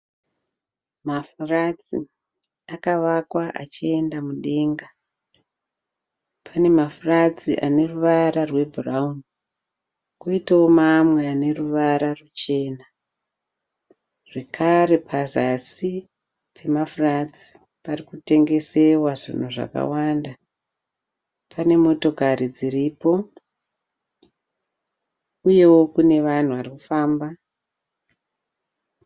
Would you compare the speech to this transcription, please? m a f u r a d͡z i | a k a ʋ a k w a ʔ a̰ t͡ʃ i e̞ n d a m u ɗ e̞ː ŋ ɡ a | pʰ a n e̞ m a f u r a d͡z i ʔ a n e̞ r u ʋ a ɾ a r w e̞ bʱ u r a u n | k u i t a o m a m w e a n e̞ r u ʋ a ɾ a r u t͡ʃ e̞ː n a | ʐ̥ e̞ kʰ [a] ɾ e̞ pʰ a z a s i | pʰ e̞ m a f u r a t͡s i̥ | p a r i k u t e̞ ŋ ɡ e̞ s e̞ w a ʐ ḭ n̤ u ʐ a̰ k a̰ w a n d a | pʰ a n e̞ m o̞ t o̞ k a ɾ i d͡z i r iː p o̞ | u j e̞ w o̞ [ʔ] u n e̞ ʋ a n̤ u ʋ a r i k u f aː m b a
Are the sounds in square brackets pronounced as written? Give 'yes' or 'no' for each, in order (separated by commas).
yes, no